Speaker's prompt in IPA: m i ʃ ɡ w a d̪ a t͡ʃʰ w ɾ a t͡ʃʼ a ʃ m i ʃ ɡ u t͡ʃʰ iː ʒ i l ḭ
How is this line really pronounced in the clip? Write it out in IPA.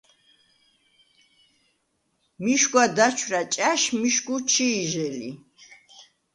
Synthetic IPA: m i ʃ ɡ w a d̪ a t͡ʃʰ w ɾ a t͡ʃʼ a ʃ m i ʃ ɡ u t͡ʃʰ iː ʒ ɛ l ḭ